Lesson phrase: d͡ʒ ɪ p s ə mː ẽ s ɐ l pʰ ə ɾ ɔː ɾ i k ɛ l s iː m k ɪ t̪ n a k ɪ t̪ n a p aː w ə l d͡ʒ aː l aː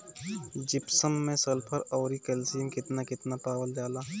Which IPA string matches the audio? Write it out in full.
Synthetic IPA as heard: d͡ʒ ɪ p s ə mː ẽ s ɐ l pʰ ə ɾ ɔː ɾ i k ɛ l s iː m k ɪ t̪ n a k ɪ t̪ n a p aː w ə l d͡ʒ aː l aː